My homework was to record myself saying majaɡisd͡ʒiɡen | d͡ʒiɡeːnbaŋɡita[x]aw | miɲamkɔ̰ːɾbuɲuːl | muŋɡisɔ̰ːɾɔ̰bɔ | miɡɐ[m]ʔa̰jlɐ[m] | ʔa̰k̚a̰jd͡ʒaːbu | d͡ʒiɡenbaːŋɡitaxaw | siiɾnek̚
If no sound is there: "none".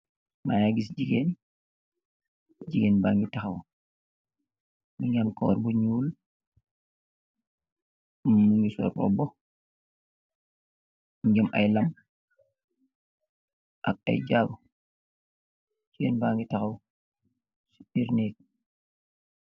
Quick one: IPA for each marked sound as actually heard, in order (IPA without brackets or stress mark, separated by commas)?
x, m, m